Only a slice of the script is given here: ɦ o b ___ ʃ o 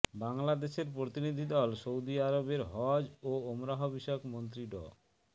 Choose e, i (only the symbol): i